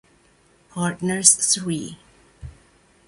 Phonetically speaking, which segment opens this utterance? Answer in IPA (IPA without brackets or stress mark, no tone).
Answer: pʰ